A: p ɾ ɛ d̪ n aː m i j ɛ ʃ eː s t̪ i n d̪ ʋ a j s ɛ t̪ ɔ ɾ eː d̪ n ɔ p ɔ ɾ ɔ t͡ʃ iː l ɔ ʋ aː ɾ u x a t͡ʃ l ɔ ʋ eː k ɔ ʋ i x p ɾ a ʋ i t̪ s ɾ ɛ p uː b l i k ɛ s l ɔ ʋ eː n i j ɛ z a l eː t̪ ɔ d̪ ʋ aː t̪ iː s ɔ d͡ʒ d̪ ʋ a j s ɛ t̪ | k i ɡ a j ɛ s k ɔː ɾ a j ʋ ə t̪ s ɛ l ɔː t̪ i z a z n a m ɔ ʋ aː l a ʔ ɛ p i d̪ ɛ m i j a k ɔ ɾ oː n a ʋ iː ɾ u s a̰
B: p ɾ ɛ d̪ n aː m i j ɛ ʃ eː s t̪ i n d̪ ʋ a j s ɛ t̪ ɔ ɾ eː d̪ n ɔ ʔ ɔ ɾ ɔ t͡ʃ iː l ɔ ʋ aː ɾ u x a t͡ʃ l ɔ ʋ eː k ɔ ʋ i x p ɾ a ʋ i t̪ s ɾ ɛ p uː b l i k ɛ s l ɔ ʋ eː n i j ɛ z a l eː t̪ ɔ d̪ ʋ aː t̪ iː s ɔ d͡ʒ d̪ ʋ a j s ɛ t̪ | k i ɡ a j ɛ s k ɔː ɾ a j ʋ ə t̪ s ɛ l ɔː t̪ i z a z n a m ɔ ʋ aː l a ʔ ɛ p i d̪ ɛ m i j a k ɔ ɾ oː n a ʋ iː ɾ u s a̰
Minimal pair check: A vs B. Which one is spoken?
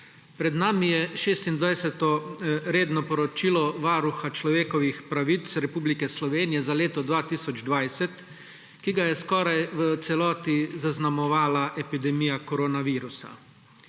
A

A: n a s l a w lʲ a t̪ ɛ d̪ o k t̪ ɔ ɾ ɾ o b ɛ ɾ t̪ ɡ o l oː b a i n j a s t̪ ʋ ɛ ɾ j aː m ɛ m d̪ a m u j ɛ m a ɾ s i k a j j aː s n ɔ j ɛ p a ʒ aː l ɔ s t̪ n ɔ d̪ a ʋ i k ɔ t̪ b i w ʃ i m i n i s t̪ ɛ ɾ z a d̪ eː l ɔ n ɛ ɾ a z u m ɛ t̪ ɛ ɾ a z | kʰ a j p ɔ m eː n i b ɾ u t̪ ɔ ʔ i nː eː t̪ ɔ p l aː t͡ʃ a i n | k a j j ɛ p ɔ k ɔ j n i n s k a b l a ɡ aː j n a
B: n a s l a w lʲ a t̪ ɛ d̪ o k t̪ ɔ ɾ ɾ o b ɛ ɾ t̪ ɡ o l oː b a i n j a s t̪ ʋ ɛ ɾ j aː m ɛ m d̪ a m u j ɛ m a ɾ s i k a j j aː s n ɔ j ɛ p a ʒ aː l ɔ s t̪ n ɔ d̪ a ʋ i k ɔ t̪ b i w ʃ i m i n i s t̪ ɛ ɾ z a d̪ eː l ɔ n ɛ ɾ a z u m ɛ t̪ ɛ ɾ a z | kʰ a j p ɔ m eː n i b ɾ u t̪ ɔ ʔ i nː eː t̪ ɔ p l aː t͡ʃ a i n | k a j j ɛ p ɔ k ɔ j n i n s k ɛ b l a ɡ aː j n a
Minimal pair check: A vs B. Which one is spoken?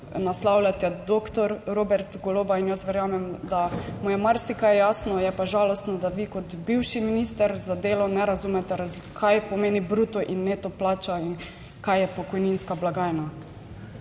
A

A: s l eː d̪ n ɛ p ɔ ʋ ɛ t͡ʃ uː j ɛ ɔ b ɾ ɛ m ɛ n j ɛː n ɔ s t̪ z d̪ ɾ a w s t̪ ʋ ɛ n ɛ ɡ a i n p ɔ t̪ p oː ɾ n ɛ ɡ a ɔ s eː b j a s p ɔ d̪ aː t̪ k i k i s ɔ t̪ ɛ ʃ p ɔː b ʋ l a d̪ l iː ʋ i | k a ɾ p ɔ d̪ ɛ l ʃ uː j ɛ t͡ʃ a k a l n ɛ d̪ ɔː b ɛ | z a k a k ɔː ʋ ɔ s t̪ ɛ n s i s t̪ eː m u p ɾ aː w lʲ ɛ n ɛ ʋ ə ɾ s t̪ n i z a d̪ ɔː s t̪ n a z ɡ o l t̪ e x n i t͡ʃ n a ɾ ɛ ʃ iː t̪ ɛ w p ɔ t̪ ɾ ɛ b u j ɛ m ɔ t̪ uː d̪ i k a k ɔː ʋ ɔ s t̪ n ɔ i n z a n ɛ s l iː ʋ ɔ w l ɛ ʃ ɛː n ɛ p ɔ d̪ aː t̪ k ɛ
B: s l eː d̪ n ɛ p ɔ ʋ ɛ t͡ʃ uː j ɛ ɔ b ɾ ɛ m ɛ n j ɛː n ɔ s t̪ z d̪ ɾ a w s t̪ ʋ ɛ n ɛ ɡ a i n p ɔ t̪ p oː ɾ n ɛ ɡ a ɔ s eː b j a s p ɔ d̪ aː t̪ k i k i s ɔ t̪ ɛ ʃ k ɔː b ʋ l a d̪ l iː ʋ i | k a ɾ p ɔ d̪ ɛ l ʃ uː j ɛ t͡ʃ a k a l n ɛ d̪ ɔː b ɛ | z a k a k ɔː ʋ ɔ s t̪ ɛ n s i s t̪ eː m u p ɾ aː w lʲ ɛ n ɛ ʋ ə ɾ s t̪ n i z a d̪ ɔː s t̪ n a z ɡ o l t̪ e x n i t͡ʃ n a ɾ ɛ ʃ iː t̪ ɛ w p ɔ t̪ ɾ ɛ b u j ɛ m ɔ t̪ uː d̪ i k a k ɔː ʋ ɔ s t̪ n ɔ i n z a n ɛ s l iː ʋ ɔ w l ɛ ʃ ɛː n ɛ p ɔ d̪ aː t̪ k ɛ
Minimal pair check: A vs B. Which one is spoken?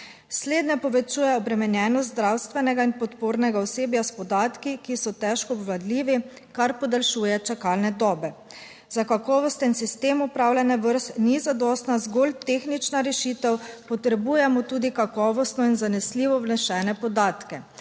B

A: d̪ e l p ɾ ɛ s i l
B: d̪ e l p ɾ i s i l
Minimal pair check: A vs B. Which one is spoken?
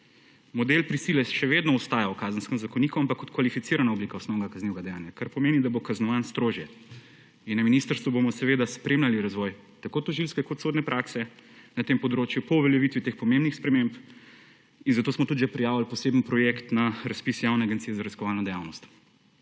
B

